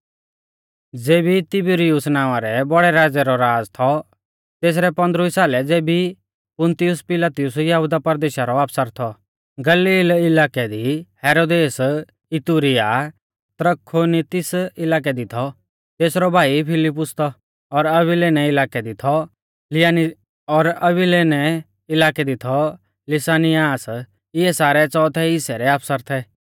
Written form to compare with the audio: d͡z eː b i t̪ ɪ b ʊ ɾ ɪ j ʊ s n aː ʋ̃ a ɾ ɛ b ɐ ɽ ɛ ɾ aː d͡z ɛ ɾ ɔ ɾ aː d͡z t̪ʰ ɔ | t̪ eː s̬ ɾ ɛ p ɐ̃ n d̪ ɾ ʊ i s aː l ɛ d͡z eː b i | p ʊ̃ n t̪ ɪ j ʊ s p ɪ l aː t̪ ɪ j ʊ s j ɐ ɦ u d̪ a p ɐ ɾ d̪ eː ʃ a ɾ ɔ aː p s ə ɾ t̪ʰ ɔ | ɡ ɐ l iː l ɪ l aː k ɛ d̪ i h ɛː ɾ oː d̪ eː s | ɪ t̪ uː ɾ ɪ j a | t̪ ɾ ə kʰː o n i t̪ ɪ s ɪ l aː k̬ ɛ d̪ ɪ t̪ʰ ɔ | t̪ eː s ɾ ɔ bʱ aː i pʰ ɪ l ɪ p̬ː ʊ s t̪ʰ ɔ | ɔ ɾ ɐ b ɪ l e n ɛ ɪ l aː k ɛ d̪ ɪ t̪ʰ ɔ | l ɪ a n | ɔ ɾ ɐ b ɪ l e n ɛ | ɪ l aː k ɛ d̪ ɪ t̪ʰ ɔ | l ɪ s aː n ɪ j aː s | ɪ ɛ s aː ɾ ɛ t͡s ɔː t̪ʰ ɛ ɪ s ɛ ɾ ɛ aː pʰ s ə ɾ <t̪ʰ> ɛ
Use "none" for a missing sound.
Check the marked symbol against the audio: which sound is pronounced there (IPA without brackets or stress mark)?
t̪ʰ